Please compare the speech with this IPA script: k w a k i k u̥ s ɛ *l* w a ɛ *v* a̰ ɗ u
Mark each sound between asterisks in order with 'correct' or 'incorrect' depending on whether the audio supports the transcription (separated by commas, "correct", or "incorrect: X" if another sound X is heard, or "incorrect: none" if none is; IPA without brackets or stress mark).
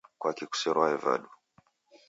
incorrect: ɾ, correct